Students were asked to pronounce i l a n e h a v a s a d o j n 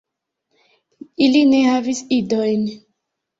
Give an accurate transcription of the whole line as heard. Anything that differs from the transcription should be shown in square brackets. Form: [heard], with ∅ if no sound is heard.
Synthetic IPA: i l [i] n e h a v [i] s [i] d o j n